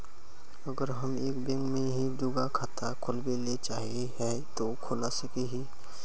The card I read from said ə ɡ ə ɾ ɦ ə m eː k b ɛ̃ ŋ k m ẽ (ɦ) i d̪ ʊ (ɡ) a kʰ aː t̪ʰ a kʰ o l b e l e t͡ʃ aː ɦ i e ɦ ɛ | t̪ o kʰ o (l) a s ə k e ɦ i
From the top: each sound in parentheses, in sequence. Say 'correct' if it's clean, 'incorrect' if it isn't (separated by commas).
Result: correct, correct, correct